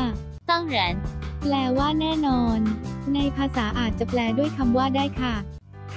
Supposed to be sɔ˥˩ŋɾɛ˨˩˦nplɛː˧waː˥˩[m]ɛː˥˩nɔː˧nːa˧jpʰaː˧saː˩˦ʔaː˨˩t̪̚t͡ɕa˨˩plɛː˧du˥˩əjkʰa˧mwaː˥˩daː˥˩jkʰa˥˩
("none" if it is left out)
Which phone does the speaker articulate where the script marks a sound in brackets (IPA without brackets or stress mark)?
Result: n